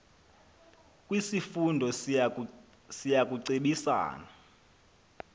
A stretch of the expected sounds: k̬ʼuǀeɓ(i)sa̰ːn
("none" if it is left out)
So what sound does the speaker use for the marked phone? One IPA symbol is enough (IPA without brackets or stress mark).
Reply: i